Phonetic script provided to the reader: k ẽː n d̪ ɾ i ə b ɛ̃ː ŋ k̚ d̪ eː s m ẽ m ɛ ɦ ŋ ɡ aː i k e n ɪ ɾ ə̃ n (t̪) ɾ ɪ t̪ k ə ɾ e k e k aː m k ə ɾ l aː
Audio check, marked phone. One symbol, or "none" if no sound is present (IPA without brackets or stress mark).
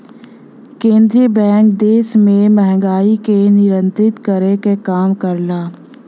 t̪